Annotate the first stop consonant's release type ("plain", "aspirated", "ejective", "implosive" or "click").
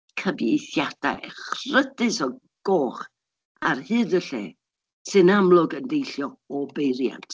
aspirated